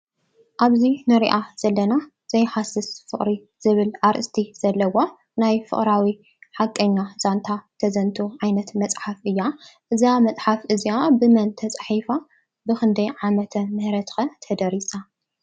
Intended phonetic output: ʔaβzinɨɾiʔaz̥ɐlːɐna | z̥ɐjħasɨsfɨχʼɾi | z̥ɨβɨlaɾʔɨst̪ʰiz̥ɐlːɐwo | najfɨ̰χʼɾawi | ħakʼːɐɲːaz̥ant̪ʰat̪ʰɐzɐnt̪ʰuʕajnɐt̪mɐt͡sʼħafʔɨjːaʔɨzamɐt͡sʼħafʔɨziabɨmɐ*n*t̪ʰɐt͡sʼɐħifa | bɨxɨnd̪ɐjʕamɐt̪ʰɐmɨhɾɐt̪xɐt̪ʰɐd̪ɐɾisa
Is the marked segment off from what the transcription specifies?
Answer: no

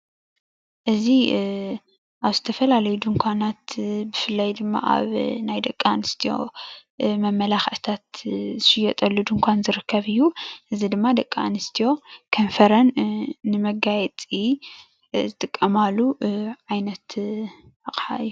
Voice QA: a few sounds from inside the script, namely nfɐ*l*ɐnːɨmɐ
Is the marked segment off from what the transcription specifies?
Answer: yes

